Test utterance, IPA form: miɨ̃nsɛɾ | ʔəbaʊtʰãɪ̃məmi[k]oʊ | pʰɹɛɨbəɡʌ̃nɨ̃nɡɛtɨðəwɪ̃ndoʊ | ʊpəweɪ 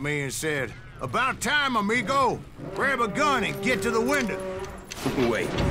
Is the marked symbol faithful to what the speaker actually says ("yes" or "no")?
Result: no